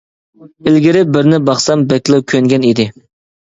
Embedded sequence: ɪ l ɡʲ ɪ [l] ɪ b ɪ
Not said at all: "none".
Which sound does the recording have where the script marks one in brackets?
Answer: ɾ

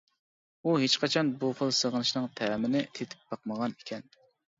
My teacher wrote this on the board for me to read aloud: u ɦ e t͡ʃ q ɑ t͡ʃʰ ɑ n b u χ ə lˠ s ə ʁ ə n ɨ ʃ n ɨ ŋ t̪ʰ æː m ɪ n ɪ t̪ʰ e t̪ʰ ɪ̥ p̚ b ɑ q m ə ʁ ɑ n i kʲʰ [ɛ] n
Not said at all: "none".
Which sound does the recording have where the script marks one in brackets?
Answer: ɛ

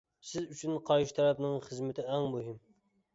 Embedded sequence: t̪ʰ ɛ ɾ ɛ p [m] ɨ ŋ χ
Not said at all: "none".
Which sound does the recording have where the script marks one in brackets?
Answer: n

